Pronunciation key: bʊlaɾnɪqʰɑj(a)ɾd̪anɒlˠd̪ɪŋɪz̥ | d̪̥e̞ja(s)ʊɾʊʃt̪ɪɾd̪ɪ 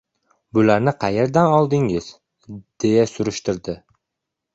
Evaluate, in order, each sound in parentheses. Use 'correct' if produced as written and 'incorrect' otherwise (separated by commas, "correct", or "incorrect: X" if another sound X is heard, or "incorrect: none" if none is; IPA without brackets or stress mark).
incorrect: e, correct